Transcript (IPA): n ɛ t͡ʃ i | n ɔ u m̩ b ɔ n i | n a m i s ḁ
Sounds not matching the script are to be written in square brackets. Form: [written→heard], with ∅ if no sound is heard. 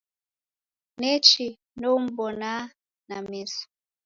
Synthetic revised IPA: n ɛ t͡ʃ i | n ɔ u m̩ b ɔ n [i→a] | n a m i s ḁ